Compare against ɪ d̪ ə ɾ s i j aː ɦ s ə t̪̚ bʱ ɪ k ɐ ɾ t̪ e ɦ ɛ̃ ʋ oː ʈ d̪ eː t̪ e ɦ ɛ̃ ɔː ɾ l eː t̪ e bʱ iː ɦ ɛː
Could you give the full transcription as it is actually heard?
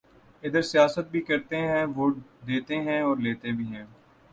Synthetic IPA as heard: ɪ d̪ ə ɾ s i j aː s ə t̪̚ bʱ i k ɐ ɾ t̪ e ɦ ɛ̃ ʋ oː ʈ d̪ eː t̪ e ɦ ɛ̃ ɔː ɾ l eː t̪ e bʱ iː ɦ ɛ̃ː